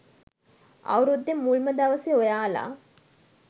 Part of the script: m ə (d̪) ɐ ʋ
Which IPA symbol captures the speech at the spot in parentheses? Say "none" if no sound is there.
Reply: d̪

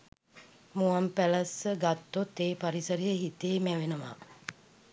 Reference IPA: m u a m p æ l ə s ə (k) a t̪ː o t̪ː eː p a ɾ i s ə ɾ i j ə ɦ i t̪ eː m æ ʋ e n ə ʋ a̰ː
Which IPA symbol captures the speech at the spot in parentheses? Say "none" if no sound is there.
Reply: ɡ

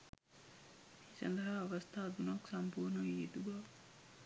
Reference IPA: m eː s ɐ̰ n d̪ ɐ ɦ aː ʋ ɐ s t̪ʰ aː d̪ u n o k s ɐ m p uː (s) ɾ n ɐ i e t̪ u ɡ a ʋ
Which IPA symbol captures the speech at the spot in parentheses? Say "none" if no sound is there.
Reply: none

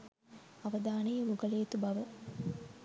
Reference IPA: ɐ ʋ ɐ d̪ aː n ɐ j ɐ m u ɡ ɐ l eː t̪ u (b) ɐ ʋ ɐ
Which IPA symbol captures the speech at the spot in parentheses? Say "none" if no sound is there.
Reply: b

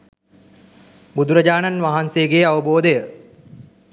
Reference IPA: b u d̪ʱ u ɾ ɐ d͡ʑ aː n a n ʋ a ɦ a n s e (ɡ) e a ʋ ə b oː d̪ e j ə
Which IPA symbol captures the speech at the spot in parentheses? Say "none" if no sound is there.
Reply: ɡ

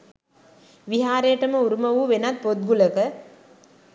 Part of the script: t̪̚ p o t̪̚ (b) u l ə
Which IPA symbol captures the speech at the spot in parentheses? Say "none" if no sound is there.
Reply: ɡ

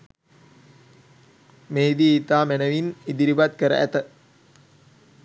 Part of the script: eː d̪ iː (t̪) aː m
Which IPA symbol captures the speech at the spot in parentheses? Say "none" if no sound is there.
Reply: t̪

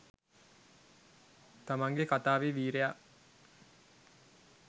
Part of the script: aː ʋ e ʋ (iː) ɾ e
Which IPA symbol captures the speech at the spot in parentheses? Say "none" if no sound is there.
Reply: iː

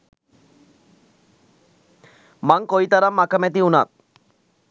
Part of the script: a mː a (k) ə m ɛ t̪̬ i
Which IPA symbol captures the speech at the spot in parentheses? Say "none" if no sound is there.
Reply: k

